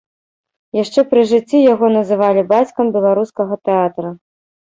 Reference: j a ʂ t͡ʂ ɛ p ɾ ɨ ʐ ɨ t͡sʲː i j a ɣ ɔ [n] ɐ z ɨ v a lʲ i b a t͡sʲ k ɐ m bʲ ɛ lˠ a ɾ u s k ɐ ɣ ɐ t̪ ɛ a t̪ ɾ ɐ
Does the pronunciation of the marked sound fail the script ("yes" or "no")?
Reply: no